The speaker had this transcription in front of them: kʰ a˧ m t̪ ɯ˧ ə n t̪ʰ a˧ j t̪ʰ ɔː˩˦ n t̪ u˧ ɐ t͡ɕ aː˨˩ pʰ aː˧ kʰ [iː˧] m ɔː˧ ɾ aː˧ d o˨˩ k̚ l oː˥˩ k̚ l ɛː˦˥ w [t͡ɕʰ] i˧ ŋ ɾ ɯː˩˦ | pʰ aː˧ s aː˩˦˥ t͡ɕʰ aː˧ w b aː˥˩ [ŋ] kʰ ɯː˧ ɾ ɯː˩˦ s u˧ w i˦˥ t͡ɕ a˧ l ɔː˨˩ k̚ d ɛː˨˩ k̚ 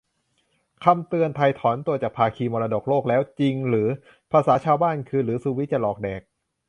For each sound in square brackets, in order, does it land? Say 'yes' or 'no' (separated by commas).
yes, no, no